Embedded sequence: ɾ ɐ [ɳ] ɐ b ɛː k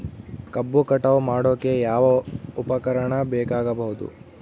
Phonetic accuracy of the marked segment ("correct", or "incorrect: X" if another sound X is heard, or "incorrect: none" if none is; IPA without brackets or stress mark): correct